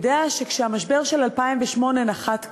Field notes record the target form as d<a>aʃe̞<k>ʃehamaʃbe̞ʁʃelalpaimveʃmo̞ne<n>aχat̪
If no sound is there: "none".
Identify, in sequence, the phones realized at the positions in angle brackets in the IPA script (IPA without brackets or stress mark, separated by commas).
e, k, n